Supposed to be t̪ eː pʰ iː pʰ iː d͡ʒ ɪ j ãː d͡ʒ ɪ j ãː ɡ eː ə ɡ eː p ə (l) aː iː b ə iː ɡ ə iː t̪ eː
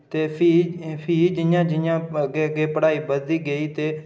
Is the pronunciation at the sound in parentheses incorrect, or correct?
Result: incorrect: ɽ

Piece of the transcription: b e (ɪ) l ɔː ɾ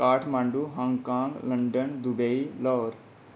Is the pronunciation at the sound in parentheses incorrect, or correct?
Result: incorrect: i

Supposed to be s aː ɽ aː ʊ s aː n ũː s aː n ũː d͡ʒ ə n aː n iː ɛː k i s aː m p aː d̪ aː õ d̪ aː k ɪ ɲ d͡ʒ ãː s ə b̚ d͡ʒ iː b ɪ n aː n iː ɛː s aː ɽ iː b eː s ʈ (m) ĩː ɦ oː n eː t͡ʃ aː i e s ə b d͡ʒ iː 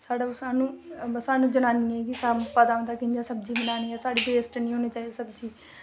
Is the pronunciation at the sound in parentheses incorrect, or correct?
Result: incorrect: n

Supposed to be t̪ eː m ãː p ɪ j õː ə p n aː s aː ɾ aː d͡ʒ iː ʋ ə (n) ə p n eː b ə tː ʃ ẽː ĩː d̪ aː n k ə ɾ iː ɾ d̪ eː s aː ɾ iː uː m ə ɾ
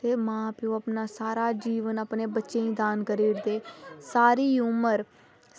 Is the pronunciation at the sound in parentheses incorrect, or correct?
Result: correct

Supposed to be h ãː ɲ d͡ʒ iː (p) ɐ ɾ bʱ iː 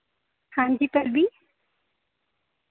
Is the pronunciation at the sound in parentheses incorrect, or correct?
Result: correct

